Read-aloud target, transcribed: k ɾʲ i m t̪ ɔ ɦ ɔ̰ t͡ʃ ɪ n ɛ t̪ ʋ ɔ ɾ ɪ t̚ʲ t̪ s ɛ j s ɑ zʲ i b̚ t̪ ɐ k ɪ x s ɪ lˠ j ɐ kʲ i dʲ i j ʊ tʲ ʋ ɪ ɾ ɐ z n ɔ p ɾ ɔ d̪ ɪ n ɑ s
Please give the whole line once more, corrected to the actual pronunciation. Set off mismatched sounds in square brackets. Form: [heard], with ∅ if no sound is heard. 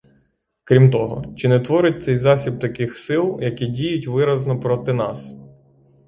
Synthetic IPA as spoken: k ɾʲ i m t̪ ɔ ɦ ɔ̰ t͡ʃ ɪ n ɛ t̪ ʋ ɔ ɾ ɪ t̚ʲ t̪ s ɛ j [z] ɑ [sʲ] i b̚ t̪ ɐ k ɪ x s ɪ lˠ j ɐ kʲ i dʲ i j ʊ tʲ ʋ ɪ ɾ ɐ z n ɔ p ɾ ɔ [t̪] ɪ n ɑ s

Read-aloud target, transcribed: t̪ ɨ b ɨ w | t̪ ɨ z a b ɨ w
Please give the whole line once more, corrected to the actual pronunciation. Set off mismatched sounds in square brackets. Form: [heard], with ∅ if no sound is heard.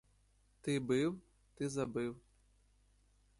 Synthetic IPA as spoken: t̪ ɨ b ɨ w | t̪ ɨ z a b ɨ w

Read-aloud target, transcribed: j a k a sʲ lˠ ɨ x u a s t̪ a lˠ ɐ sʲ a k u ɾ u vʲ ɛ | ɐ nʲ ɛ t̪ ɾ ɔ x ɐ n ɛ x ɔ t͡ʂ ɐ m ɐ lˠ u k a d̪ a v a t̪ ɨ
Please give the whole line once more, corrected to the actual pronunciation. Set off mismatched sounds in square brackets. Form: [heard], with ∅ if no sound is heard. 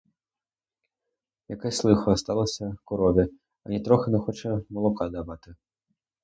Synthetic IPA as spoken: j a k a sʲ lˠ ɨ x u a s t̪ a lˠ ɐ sʲ [ɐ] k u ɾ [ɔ] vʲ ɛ | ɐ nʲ ɛ t̪ ɾ ɔ x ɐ n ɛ x ɔ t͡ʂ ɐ m ɐ lˠ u k a d̪ a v a t̪ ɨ

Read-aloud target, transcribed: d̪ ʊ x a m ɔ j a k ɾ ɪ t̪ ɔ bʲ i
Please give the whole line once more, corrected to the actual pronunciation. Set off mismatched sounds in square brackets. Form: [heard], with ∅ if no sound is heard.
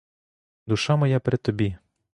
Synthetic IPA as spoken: d̪ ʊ [ʃ] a m ɔ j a [p] ɾ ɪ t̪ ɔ bʲ i

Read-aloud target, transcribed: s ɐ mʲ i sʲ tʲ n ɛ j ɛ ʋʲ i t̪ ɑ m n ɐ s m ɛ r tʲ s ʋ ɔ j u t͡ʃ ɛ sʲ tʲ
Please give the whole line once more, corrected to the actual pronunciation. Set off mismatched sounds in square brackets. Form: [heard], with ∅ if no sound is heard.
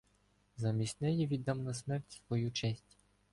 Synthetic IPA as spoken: [z] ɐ mʲ i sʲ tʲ n ɛ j [i] ʋʲ i [d̪] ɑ m n ɐ s m ɛ r tʲ s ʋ ɔ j u t͡ʃ ɛ sʲ tʲ

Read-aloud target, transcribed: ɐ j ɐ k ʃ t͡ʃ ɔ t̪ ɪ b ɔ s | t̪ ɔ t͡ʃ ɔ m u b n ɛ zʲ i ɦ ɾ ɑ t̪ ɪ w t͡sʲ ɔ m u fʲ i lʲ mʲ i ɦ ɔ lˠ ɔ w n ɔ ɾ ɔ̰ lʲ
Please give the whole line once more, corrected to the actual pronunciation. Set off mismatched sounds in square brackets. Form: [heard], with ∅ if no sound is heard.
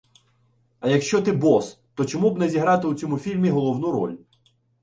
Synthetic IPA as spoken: ɐ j ɐ k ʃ t͡ʃ ɔ t̪ ɪ b ɔ s | t̪ ɔ t͡ʃ ɔ m u b n ɛ zʲ i ɦ ɾ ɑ t̪ ɪ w t͡sʲ ɔ m u fʲ i lʲ mʲ i ɦ ɔ lˠ ɔ w n [u] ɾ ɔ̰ lʲ

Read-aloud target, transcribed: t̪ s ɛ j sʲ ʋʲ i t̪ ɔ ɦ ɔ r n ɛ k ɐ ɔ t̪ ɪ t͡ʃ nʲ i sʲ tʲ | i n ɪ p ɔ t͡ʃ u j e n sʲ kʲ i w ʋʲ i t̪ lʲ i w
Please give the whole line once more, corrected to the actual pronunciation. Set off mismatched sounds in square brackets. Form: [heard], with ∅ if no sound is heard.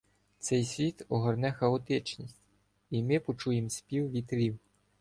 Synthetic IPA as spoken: t̪ s ɛ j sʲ ʋʲ i t̪ ɔ ɦ ɔ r n ɛ [x] ɐ ɔ t̪ ɪ t͡ʃ nʲ i sʲ tʲ | i [m] ɪ p ɔ t͡ʃ u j e [m] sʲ [pʲ] i w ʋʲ i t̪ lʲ i w

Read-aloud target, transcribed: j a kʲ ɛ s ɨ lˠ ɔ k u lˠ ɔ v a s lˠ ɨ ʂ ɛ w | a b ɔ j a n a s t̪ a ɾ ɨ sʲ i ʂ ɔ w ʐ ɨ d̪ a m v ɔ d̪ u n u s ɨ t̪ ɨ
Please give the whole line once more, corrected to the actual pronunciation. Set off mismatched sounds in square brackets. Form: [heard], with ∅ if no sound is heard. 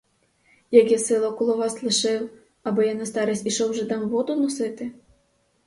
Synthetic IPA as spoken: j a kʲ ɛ s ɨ lˠ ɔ k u lˠ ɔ v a s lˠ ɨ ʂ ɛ w | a b ɔ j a n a s t̪ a ɾ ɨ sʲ i ʂ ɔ w ʐ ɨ d̪ a m v ɔ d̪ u n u s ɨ t̪ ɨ

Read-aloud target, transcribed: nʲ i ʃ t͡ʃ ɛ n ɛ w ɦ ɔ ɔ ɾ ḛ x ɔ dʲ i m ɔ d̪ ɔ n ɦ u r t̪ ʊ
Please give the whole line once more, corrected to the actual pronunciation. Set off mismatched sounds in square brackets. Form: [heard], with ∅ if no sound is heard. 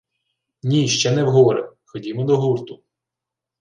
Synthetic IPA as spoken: nʲ i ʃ t͡ʃ ɛ n ɛ w ɦ ɔ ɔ ɾ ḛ x ɔ dʲ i m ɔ d̪ ɔ [∅] ɦ u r t̪ ʊ

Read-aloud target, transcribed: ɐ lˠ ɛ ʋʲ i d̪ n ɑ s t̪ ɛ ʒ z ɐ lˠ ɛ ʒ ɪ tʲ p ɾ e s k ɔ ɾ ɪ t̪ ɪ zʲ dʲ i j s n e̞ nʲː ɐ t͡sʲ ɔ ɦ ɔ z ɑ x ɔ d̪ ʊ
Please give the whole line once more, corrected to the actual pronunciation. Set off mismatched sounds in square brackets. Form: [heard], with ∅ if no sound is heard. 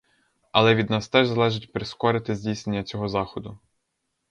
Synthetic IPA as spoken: ɐ lˠ ɛ ʋʲ i d̪ n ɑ s t̪ ɛ ʒ z ɐ lˠ ɛ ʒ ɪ tʲ p ɾ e s k ɔ ɾ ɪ t̪ ɪ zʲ dʲ i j s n e̞ nʲː ɐ t͡sʲ ɔ ɦ ɔ z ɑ x ɔ d̪ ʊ

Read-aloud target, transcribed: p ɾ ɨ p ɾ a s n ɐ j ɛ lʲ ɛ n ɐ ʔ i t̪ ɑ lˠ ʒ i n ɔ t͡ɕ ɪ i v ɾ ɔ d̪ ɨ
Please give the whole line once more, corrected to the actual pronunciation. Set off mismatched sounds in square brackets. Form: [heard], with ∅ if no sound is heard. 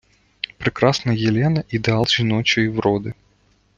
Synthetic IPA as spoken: p ɾ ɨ [k] ɾ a s n ɐ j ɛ lʲ ɛ n ɐ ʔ i [d̪] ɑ lˠ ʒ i n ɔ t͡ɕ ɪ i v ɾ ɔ d̪ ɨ

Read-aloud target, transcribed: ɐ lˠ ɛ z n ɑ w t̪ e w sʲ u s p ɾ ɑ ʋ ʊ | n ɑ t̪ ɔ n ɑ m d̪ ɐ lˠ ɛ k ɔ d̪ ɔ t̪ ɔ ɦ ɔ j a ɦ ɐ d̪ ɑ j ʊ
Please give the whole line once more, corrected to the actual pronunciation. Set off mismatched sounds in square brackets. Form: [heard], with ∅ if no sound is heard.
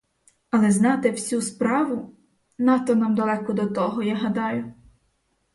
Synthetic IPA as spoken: ɐ lˠ ɛ z n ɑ [∅] t̪ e w sʲ u s p ɾ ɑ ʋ ʊ | n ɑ t̪ ɔ n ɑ m d̪ ɐ lˠ ɛ k ɔ d̪ ɔ t̪ ɔ ɦ ɔ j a ɦ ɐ d̪ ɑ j ʊ

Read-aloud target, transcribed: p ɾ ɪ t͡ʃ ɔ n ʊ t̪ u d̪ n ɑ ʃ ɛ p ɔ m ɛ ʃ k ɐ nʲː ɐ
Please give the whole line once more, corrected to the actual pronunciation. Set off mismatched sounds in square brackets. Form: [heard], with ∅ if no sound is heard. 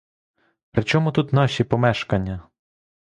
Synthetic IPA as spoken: p ɾ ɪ t͡ʃ ɔ [m] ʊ t̪ u [t̪] n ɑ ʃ [i] p ɔ m ɛ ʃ k ɐ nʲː ɐ

